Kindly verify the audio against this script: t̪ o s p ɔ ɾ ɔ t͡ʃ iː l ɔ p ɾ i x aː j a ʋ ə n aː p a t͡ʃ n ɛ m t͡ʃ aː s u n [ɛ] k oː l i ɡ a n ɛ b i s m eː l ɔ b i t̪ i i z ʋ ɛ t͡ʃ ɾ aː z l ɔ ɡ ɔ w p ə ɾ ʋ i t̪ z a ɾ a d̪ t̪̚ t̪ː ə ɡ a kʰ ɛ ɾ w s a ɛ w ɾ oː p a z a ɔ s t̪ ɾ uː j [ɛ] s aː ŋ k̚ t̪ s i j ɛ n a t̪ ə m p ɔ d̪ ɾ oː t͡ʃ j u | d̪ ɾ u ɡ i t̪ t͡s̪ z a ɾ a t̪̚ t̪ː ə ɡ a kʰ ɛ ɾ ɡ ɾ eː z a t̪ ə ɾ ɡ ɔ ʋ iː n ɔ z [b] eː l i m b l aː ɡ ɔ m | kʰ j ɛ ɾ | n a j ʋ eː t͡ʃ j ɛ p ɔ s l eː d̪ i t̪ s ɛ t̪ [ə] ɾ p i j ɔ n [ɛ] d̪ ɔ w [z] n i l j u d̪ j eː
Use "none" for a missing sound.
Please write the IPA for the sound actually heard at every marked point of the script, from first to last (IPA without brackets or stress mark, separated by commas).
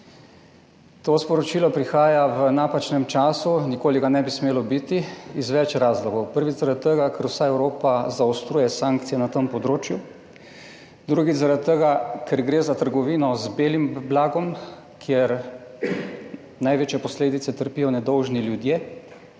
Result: i, ɛ, b, ə, ɛ, ʒ